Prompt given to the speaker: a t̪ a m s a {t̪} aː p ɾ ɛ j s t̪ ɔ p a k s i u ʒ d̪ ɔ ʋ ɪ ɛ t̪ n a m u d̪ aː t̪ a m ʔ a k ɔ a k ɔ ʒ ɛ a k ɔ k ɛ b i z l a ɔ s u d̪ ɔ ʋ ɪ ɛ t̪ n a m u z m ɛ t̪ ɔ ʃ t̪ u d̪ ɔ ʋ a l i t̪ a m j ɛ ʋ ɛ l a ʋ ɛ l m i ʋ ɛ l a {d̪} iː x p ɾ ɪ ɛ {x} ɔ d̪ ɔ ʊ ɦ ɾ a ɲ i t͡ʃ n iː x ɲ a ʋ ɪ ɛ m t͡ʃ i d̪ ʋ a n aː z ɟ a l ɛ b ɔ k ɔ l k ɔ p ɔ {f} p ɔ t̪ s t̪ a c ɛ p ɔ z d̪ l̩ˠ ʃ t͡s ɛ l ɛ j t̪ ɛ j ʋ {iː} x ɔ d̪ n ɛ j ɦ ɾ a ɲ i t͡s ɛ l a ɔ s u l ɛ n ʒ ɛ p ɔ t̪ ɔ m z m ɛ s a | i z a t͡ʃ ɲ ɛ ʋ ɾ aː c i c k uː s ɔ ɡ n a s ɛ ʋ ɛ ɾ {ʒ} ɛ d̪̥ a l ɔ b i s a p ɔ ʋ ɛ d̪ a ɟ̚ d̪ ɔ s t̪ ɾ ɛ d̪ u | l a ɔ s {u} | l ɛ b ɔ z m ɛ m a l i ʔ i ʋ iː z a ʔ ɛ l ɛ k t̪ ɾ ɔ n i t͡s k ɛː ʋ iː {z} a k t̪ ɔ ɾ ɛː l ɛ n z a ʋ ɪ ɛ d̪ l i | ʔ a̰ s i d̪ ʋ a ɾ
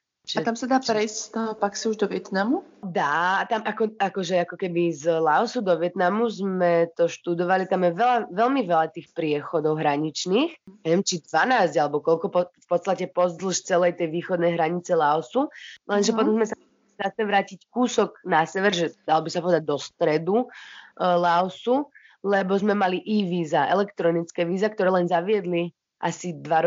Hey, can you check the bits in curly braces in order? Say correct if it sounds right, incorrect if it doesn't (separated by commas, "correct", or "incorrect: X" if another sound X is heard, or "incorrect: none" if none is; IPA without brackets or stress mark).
incorrect: d̪, incorrect: t̪, correct, correct, correct, correct, correct, correct